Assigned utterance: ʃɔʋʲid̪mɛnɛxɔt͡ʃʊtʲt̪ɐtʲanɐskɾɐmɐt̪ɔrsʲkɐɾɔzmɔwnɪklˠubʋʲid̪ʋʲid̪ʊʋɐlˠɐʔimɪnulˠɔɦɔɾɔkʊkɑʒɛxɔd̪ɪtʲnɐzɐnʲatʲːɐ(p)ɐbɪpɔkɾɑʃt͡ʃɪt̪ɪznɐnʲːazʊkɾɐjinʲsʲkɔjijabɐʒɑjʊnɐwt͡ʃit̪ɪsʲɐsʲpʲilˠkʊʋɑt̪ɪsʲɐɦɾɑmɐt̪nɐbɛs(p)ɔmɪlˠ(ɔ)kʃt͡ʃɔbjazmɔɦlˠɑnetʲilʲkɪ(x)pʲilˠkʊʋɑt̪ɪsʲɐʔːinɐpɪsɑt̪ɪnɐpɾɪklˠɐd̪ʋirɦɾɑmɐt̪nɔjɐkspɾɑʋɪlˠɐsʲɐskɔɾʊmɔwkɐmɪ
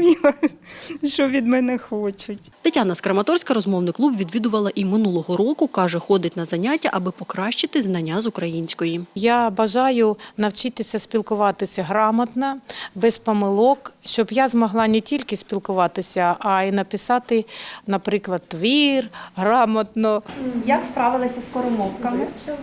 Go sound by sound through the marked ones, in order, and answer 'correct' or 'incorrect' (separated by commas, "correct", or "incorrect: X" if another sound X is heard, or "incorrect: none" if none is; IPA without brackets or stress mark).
incorrect: ʔ, correct, correct, incorrect: s